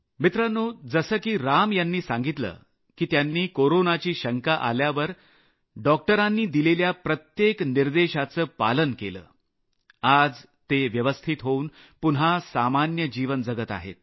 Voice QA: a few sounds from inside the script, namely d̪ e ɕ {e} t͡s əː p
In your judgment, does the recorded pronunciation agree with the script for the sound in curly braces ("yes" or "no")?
no